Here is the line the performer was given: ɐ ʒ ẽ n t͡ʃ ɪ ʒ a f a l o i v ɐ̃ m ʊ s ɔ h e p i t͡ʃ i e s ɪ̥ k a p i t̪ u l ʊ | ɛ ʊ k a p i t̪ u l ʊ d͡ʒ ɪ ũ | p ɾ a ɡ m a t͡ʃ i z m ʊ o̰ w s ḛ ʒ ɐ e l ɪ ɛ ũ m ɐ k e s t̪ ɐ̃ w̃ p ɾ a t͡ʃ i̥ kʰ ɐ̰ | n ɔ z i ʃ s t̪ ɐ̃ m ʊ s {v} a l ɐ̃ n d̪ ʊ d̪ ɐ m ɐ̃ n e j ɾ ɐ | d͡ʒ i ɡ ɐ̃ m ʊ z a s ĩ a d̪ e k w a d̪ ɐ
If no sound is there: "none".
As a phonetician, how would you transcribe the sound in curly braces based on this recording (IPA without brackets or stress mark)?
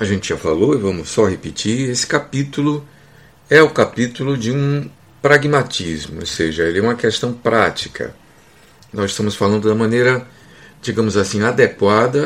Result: f